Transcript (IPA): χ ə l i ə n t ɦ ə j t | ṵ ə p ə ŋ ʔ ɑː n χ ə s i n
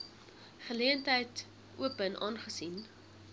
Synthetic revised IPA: χ ə l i ə n t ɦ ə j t | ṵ ə p ə n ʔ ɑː n χ ə s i n